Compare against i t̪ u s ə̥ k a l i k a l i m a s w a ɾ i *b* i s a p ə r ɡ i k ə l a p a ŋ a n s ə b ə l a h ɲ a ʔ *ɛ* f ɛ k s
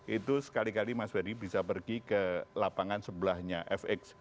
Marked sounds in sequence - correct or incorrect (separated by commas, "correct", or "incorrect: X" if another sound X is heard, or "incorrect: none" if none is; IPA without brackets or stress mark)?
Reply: correct, correct